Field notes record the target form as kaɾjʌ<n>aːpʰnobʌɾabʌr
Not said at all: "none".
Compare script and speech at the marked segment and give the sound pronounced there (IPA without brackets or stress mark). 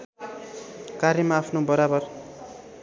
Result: m